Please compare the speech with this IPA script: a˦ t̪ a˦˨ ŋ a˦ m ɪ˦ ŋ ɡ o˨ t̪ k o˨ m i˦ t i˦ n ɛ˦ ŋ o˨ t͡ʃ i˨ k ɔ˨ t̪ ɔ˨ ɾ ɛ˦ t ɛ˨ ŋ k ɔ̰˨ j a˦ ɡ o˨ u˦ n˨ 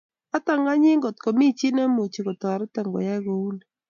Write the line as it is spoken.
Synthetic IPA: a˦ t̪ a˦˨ ŋ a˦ ɲ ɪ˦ ŋ ɡ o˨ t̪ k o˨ m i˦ t͡ʃ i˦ n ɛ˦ m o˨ t͡ʃ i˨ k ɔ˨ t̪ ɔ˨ ɾ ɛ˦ t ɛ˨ ŋ ɡ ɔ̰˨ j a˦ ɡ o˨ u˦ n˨